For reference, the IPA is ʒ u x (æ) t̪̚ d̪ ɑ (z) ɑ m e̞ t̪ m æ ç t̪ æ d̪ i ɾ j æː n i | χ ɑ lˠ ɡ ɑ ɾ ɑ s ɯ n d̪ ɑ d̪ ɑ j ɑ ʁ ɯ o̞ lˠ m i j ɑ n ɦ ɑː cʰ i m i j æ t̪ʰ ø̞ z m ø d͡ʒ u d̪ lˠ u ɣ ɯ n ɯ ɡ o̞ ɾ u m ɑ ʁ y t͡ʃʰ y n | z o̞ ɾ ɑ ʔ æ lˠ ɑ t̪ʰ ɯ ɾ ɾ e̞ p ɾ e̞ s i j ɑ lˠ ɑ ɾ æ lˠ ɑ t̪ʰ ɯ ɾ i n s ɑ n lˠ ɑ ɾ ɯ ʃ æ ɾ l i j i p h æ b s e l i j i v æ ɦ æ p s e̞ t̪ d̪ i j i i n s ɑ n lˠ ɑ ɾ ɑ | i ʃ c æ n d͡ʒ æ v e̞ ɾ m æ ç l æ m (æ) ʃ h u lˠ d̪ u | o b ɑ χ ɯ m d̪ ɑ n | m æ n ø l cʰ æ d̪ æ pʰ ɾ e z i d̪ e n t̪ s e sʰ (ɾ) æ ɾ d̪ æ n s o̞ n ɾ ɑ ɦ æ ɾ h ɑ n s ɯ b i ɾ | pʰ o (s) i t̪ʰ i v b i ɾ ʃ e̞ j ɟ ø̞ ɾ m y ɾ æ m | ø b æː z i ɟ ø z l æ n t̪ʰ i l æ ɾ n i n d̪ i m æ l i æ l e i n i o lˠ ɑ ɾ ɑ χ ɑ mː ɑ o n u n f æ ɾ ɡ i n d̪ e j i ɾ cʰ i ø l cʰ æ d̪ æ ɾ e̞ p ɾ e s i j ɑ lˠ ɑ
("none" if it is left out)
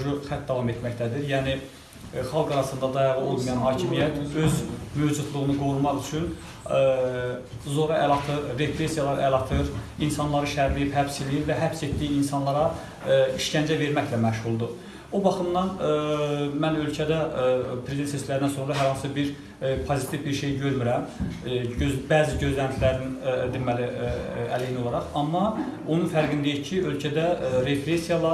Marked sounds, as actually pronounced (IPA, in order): æ, v, æ, l, z

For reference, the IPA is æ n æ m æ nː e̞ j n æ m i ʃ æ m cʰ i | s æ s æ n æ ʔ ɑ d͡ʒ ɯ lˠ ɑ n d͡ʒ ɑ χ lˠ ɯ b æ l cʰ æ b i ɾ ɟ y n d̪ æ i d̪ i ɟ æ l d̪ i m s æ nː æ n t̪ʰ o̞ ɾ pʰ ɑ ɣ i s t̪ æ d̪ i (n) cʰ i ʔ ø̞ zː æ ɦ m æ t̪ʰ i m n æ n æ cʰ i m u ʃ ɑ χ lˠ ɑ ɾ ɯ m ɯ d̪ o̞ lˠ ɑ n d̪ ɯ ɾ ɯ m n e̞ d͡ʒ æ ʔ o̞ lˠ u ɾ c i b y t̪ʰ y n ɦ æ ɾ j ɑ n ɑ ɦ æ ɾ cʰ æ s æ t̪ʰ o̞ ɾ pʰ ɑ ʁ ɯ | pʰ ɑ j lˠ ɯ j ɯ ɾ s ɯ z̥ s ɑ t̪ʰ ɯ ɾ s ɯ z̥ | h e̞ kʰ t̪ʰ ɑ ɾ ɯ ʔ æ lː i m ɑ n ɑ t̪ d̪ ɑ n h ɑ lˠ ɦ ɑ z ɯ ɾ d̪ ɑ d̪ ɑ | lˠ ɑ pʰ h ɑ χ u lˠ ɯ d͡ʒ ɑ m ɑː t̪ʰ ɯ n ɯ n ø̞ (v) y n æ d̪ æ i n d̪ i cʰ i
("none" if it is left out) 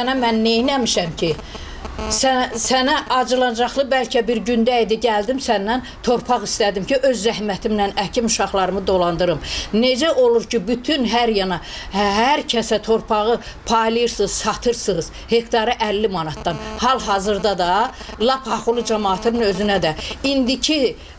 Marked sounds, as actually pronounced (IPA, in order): m, z

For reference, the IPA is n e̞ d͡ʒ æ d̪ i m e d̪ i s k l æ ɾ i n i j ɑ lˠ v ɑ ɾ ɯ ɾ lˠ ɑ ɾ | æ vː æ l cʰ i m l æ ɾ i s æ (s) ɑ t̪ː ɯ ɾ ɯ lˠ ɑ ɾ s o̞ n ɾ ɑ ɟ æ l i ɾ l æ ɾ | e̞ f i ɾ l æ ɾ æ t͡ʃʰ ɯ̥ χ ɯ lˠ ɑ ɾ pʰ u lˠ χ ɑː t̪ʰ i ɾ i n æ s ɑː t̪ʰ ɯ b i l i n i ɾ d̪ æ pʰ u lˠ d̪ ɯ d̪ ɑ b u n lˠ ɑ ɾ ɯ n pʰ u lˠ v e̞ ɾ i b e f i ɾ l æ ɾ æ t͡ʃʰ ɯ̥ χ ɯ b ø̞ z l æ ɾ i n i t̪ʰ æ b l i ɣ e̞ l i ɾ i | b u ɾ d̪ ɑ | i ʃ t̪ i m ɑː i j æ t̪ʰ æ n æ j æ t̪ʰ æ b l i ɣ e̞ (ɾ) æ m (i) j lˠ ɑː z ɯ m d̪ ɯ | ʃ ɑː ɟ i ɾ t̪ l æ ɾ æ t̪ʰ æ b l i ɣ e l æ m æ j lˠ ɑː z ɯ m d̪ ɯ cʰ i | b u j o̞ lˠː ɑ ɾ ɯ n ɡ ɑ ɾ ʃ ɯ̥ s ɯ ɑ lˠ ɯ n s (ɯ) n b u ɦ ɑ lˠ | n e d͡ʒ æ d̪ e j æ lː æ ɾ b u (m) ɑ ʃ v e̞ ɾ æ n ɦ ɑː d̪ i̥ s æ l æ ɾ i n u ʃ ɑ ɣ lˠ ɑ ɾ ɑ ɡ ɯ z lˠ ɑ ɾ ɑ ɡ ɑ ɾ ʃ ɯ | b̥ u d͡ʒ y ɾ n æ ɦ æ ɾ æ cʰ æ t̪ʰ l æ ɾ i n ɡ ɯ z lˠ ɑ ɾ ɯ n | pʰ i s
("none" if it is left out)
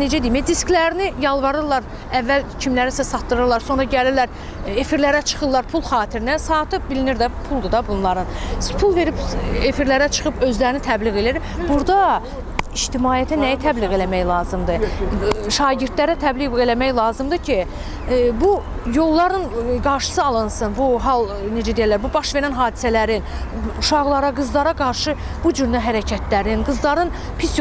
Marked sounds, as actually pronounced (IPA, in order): s, l, æ, ɯ, b

